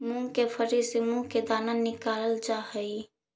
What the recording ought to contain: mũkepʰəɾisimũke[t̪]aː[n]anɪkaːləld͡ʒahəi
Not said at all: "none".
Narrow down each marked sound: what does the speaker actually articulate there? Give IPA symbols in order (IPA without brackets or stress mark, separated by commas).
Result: d̪, n